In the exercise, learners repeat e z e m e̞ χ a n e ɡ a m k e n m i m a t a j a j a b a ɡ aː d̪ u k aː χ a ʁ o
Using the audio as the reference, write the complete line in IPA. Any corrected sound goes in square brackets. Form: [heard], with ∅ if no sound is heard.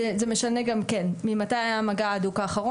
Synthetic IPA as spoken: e z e m e̞ [ʃ] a n e ɡ a m k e n m i m a t a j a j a [m] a ɡ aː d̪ u k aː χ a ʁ o